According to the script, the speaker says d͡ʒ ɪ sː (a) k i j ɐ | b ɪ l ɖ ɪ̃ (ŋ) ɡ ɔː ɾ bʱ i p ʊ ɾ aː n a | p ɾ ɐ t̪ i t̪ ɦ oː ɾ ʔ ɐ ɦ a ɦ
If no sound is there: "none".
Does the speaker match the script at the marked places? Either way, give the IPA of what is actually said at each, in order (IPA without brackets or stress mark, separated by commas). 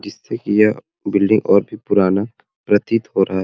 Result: e, ŋ